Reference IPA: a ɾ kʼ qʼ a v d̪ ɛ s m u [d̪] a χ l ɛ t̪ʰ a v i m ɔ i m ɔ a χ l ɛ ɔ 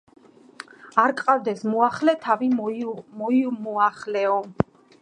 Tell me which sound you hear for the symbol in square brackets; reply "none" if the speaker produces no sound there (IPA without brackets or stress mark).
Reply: none